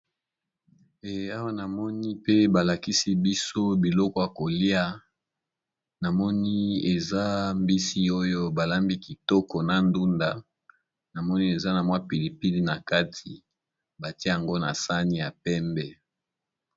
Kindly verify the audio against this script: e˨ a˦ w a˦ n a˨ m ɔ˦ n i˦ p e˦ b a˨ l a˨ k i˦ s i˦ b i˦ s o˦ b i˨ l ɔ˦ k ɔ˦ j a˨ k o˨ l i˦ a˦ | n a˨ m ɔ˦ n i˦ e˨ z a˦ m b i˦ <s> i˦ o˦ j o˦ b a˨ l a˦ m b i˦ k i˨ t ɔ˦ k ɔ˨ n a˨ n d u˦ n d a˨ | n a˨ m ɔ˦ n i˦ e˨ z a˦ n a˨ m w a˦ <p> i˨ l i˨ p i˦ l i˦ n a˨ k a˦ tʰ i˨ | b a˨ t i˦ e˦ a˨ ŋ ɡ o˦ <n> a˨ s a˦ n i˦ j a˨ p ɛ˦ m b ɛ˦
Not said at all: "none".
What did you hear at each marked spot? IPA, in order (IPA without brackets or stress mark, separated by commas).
s, p, n